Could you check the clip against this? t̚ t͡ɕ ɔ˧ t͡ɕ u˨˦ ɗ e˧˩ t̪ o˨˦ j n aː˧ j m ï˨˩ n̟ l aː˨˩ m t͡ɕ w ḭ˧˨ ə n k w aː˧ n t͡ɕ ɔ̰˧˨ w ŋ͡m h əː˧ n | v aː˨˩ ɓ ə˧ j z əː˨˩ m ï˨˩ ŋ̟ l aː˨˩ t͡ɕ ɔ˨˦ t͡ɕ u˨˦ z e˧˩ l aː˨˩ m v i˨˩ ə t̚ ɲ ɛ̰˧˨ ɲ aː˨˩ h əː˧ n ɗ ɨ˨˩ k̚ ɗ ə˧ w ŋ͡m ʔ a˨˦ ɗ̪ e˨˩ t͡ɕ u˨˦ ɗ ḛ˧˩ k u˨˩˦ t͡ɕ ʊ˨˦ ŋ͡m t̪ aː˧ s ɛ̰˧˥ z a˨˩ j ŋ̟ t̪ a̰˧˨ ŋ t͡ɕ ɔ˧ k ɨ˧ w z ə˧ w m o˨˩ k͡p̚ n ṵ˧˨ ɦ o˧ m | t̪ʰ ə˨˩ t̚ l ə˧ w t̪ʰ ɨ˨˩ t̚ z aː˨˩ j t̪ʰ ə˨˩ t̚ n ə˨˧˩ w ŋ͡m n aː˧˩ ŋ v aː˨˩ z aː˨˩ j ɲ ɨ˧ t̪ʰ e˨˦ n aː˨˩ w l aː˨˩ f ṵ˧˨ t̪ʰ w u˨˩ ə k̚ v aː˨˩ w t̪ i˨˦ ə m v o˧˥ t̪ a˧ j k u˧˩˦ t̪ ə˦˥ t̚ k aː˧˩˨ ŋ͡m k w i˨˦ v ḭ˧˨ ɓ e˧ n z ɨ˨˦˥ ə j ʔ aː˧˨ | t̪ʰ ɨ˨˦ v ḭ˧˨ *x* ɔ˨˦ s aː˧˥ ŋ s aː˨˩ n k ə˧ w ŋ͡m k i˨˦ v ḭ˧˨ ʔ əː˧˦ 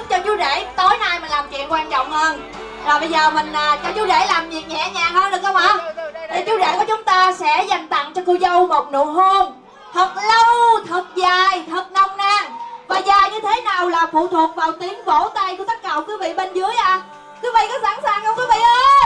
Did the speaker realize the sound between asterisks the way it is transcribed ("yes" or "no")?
no